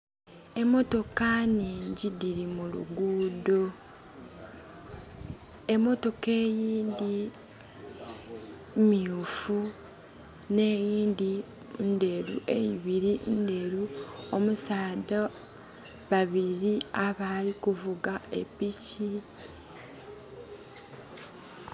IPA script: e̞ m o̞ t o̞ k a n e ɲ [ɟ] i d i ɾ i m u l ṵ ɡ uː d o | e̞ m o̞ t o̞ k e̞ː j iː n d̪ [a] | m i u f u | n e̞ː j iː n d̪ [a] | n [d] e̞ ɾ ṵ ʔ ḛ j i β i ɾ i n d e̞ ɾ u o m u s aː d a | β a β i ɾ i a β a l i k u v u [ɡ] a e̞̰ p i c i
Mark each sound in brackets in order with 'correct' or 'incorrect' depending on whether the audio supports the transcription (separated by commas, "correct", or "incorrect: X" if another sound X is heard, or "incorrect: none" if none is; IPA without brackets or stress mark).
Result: correct, incorrect: i, incorrect: i, correct, correct